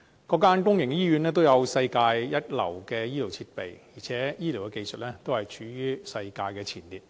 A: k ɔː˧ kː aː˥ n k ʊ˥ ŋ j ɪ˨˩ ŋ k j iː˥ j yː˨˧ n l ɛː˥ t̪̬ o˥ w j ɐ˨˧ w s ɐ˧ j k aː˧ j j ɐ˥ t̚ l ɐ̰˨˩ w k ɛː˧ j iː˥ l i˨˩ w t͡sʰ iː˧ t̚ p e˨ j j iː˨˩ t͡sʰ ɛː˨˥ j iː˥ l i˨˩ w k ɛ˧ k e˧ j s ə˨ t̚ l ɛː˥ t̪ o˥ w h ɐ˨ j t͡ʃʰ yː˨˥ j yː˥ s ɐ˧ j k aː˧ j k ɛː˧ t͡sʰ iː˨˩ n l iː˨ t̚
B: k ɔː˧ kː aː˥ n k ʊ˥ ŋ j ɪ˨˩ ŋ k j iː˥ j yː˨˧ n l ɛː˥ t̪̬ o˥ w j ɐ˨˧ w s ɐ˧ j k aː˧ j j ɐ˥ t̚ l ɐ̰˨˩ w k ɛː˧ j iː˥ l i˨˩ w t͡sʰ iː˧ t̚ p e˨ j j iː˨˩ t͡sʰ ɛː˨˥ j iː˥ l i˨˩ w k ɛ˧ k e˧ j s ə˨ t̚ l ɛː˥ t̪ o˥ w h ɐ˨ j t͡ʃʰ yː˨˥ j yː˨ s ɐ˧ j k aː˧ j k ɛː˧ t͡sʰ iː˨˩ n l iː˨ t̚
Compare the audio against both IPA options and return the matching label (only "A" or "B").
A